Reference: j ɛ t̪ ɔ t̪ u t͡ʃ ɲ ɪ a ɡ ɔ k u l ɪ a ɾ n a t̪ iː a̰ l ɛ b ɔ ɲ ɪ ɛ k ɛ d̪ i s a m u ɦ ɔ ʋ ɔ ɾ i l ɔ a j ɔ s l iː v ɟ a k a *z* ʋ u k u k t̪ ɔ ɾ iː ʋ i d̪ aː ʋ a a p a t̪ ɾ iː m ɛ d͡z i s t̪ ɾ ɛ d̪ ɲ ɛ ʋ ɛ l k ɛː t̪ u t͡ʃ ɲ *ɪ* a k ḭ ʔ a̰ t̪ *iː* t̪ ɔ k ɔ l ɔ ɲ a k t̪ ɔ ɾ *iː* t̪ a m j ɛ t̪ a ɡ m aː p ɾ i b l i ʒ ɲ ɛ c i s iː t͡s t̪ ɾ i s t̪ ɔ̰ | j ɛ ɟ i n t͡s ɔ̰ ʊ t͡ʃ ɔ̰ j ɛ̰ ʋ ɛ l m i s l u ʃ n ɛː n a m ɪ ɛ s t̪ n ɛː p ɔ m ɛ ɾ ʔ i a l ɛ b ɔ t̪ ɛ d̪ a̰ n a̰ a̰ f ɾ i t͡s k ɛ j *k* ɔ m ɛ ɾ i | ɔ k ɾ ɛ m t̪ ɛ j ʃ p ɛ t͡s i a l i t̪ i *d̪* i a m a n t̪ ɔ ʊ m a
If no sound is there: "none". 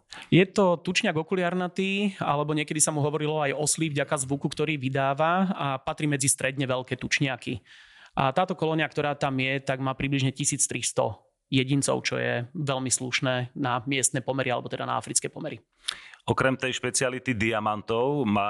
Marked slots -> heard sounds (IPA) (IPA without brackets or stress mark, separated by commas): z, ɪ, aː, aː, p, d̪